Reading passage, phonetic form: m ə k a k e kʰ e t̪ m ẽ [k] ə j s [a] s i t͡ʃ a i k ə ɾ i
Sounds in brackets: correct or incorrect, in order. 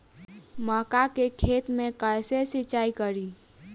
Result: correct, incorrect: e

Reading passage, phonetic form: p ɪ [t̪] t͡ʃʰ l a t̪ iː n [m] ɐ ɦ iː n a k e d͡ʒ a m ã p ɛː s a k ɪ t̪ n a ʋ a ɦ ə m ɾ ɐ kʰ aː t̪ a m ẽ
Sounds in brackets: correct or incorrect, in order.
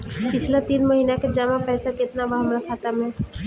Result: incorrect: none, correct

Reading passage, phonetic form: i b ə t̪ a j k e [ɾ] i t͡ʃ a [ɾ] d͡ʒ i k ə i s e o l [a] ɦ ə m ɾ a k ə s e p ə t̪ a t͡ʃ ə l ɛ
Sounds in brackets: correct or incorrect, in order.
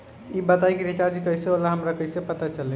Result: correct, correct, correct

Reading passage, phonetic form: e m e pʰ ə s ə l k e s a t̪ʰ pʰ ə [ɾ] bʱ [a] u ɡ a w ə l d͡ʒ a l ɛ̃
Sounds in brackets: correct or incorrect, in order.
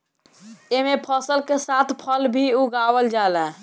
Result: incorrect: l, incorrect: i

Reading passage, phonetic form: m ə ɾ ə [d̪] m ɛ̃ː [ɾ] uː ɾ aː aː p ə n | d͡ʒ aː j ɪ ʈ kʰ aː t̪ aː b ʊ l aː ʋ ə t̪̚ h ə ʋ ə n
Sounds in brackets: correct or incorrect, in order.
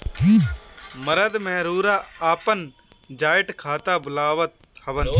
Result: correct, correct

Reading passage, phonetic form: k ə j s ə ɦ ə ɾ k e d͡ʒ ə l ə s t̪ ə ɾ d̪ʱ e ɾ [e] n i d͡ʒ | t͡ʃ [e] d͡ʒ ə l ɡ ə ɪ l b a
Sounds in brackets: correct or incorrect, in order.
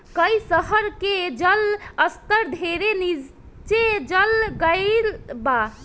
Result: correct, correct

